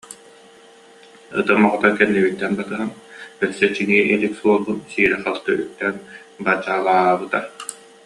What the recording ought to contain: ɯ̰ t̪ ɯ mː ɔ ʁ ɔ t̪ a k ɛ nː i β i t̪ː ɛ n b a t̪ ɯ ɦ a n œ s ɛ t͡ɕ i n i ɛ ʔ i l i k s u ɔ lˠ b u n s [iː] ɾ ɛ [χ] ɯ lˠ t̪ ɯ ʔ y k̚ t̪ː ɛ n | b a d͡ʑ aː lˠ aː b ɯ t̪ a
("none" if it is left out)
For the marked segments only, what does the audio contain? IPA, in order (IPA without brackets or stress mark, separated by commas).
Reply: iː, χ